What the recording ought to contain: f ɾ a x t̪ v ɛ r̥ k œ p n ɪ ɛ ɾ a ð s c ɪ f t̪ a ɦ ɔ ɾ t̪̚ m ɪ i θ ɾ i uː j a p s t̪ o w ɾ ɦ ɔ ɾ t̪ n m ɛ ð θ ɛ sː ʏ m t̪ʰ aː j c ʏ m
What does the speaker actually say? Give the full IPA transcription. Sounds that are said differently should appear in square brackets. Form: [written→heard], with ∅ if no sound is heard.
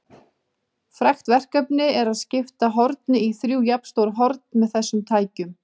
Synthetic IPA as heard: f ɾ a x t̪ v ɛ r̥ k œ p n ɪ ɛ ɾ a ð s c ɪ f t̪ a ɦ ɔ ɾ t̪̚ [m→n] ɪ i θ ɾ [i→j] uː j a p s t̪ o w ɾ ɦ ɔ ɾ t̪ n m ɛ ð θ ɛ sː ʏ m t̪ʰ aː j c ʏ m